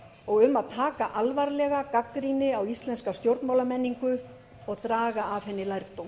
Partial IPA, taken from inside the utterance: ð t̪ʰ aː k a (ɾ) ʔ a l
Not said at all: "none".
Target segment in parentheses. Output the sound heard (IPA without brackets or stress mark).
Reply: none